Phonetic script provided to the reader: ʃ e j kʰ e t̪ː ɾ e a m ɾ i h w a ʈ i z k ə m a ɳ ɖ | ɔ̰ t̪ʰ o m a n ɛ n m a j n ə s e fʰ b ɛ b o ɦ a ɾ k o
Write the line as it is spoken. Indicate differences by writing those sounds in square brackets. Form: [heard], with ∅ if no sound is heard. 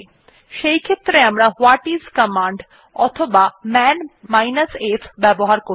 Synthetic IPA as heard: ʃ e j kʰ e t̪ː ɾ e a m ɾ [a] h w a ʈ i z k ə m a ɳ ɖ | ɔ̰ t̪ʰ o [b] a [m] ɛ n m a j n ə s e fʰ b ɛ b o ɦ a ɾ k o